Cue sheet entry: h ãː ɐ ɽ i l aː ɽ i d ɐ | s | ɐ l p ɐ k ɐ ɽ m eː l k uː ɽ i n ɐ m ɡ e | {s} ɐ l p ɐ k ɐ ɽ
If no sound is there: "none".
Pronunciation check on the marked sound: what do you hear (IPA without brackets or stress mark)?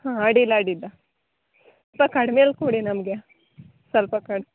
s